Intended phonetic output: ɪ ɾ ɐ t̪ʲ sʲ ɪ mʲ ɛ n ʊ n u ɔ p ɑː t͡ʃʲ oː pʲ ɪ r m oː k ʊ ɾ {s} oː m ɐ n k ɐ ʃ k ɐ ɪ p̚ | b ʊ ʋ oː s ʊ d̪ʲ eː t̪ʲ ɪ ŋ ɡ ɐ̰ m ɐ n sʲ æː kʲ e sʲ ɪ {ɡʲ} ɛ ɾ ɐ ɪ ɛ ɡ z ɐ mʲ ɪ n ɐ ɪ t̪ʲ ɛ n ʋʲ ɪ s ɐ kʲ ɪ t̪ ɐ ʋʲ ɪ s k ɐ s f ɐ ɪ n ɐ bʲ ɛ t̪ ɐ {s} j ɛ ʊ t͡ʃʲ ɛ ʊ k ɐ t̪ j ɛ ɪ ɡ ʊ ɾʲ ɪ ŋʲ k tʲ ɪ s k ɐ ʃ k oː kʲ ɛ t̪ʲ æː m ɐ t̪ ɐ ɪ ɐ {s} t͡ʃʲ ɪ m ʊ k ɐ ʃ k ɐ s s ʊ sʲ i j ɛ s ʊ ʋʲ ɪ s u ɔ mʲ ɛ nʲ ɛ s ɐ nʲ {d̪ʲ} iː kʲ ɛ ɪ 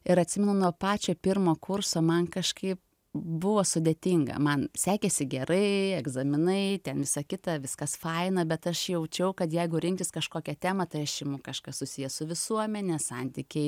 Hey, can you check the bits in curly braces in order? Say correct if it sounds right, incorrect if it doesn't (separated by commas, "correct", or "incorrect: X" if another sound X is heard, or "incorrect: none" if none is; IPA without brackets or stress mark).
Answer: correct, correct, incorrect: ʃ, incorrect: ʃ, incorrect: t̪ʲ